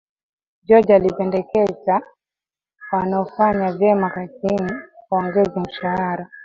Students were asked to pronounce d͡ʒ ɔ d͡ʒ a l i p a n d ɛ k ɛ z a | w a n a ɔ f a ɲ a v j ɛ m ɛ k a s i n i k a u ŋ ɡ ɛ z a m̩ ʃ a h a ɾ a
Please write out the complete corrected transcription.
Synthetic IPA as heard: d͡ʒ ɔ d͡ʒ a l i p ɛ n d ɛ k ɛ z a | w a n a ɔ f a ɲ a v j ɛ m a k a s i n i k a ɔ ŋ ɡ ɛ z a m̩ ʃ a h a ɾ a